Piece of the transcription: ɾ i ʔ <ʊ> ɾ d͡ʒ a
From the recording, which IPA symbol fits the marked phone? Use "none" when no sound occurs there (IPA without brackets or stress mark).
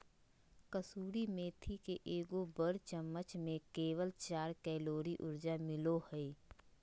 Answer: ʊ